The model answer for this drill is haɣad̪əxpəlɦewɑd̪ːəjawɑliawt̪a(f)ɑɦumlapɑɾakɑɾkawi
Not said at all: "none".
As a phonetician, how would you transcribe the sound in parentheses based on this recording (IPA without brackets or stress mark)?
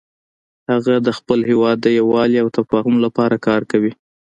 f